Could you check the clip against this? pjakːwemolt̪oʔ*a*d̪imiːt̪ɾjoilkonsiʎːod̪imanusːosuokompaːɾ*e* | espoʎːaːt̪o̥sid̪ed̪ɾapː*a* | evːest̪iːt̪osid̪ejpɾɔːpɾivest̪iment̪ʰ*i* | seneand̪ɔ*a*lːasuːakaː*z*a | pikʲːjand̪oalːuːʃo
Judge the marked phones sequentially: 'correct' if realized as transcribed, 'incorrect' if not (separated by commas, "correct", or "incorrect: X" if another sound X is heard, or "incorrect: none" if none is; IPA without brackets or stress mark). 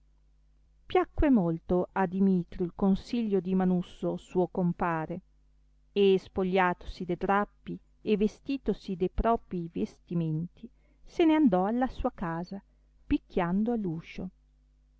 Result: correct, correct, incorrect: i, correct, correct, correct